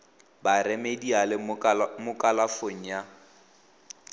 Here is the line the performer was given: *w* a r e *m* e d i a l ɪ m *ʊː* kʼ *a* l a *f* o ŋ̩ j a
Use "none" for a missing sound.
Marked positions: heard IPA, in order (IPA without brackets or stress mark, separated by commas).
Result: b, m, ʊ, a, f